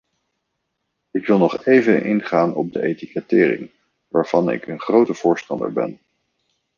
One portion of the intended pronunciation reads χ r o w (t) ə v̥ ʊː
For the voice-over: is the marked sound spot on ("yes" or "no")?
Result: yes